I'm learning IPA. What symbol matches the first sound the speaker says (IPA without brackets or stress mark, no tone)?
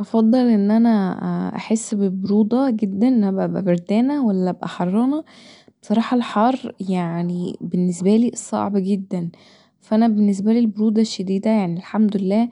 ʔ